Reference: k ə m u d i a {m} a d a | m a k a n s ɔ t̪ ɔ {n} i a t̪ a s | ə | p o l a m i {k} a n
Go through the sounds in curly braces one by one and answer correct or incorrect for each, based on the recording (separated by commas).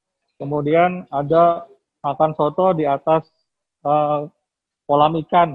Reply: incorrect, incorrect, correct